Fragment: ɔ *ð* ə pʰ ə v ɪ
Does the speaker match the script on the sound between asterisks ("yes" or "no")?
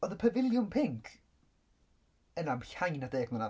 yes